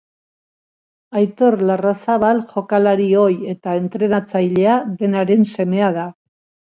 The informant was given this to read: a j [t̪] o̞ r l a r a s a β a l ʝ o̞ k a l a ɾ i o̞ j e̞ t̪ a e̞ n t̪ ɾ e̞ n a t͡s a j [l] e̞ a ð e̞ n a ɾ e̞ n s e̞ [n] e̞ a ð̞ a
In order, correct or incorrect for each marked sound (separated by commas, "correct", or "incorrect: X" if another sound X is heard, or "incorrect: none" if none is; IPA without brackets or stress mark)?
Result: correct, incorrect: ʎ, incorrect: m